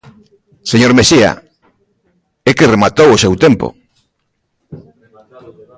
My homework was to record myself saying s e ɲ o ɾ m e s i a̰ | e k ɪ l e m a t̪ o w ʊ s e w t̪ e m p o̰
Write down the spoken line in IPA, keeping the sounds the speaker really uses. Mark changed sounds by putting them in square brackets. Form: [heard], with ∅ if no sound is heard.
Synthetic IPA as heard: s e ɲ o ɾ m e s i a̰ | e k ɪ [r] e m a t̪ o w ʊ s e w t̪ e m p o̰